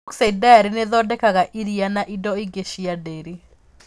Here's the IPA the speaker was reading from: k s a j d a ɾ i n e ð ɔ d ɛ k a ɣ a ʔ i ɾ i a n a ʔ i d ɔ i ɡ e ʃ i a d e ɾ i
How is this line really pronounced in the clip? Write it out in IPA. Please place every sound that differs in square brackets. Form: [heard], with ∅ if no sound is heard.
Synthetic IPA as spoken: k s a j d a ɾ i n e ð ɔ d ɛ k a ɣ a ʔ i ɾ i a n a ʔ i d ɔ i ɡ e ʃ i a d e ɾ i